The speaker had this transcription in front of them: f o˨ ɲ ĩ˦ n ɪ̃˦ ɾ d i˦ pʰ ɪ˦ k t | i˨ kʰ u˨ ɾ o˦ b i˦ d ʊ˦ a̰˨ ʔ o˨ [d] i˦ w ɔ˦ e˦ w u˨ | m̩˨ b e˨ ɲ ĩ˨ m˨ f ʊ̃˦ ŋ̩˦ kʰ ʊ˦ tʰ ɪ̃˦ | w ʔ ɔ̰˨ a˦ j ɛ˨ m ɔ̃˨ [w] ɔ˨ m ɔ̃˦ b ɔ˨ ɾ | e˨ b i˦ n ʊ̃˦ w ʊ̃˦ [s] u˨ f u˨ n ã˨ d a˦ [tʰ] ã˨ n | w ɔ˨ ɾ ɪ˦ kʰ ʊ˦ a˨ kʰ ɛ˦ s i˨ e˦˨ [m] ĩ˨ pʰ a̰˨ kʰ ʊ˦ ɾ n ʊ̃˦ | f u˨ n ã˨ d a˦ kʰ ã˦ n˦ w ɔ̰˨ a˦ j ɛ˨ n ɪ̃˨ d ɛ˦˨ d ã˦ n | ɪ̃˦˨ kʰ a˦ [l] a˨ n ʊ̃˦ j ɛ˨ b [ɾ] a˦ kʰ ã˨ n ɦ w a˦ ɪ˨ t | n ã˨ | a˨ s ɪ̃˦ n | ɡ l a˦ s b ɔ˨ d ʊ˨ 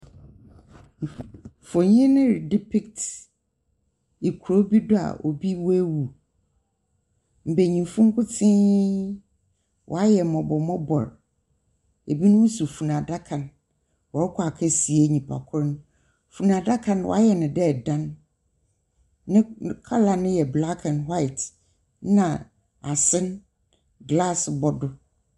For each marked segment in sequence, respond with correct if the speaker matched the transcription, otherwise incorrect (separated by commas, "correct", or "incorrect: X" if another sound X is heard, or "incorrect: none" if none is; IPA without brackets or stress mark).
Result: incorrect: b, incorrect: b, correct, incorrect: kʰ, incorrect: ɲ, correct, incorrect: l